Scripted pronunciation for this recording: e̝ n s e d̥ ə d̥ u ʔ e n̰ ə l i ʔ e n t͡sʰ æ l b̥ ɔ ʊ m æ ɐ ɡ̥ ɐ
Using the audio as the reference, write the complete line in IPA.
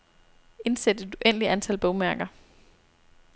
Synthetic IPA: e̝ n s e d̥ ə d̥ u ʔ e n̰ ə l i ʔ æ n t͡sʰ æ l b̥ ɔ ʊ m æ ɐ ɡ̥ ɐ

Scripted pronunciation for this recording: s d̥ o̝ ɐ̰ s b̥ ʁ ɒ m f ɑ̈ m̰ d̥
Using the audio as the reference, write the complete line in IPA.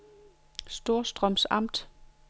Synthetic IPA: s d̥ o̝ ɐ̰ s d̥ ʁ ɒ m s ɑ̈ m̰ d̥

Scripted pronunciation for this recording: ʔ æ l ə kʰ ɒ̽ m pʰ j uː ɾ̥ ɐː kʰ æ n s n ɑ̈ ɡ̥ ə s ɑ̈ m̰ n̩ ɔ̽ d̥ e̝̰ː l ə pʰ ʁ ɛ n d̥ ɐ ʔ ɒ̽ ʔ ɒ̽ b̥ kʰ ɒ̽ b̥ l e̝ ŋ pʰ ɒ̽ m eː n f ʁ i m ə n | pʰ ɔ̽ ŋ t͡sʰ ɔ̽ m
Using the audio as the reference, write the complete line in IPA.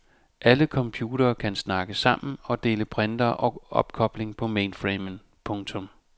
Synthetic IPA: ʔ æ l ə kʰ ɒ̽ m pʰ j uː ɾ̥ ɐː kʰ æ n s n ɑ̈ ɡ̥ ə s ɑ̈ m̰ n̩ ɒ̽ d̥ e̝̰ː l ə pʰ ʁ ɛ n d̥ ɐ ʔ ɒ̽ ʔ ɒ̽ b̥ kʰ ɒ̽ b̥ l e̝ ŋ pʰ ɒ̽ m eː n f ʁ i m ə n | pʰ ɔ̽ ŋ t͡sʰ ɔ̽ m

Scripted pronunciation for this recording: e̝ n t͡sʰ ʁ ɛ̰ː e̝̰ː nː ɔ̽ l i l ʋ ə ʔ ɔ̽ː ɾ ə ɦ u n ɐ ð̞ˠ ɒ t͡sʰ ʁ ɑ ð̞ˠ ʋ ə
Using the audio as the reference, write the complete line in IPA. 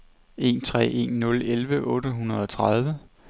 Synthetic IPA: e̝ n t͡sʰ ʁ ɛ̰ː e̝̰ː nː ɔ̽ l e l ʋ ə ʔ ɔ̽ː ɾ ə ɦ u n ɐ ð̞ˠ ɒ t͡sʰ ʁ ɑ ð̞ˠ ʋ ə

